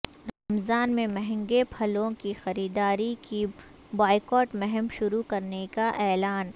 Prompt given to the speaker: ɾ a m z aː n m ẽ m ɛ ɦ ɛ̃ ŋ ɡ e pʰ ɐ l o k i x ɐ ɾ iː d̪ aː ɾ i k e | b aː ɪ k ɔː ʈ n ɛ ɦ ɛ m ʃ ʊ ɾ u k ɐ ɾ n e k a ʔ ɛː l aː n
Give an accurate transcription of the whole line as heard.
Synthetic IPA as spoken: ɾ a m z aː n m ẽ m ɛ ɦ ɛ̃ ŋ ɡ e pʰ ɐ l õ k i x ɐ ɾ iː d̪ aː ɾ i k i | b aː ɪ k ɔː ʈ m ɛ ɦ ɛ m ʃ ʊ ɾ u k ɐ ɾ n e k a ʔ ɛː l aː n